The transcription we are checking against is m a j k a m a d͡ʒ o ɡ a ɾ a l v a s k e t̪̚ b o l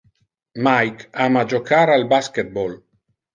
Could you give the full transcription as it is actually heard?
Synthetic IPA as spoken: m a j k a m a d͡ʒ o k a ɾ a l b a s k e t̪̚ b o l